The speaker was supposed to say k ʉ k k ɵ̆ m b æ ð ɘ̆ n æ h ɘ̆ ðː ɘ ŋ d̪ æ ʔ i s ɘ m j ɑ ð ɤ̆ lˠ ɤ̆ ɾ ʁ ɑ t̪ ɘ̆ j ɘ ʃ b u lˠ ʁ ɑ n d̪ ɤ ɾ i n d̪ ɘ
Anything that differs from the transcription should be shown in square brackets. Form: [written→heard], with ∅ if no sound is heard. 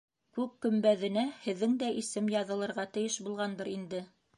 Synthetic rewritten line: k ʉ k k ɵ̆ m b æ ð ɘ̆ n æ h ɘ̆ ðː ɘ ŋ d̪ æ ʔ i s ɘ m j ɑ ð ɤ̆ lˠ ɤ̆ ɾ ʁ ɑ t̪ ɘ̆ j ɘ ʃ b u lˠ ʁ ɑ n d̪ ɤ ɾ i n d̪ ɘ